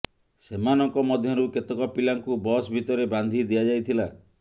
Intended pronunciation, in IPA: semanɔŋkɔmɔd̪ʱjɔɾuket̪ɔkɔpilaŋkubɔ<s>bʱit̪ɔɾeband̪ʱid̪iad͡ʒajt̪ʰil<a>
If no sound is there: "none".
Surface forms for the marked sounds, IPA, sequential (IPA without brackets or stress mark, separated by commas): s, a